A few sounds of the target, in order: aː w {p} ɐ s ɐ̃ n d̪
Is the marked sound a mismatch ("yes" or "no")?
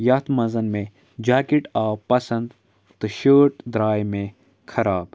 no